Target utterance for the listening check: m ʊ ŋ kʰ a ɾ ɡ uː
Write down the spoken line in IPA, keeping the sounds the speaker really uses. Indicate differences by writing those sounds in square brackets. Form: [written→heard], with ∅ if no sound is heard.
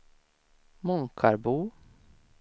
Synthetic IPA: m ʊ ŋ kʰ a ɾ [ɡ→b] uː